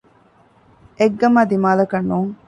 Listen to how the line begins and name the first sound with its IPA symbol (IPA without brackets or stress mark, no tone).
e